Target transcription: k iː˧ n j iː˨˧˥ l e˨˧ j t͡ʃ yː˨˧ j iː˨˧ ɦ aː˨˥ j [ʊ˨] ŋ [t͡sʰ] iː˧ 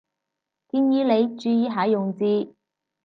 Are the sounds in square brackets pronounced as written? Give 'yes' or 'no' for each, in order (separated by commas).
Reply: yes, no